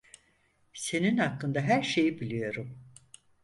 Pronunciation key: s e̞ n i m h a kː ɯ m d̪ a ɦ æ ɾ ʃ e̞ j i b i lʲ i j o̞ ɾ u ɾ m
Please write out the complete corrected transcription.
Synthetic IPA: s e̞ n i n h a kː ɯ n d̪ a ɦ æ ɾ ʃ e̞ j i b i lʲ i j o̞ ɾ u m